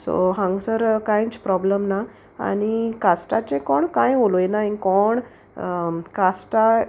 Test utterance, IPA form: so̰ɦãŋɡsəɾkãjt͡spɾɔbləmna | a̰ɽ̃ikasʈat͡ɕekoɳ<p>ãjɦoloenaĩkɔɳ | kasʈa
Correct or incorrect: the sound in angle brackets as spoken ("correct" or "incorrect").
incorrect